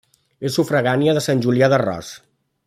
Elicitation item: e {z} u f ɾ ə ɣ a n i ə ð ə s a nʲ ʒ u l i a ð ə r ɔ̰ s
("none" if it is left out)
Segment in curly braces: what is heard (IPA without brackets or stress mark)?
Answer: s